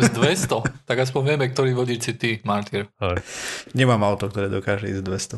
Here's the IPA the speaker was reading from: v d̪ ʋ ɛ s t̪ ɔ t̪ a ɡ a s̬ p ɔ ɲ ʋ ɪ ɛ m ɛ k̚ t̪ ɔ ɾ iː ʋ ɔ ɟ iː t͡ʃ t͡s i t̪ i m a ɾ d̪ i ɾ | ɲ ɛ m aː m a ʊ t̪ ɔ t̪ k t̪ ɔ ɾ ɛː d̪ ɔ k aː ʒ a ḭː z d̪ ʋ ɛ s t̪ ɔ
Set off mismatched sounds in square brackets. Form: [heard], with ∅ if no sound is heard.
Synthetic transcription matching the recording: [z] d̪ ʋ ɛ s t̪ ɔ t̪ a ɡ a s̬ p ɔ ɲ ʋ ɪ ɛ m ɛ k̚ t̪ ɔ ɾ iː ʋ ɔ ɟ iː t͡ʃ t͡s i t̪ i m a ɾ [t̪] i ɾ | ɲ ɛ m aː m a ʊ t̪ ɔ [∅] k t̪ ɔ ɾ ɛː d̪ ɔ k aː ʒ [ɛ] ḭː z d̪ ʋ ɛ s t̪ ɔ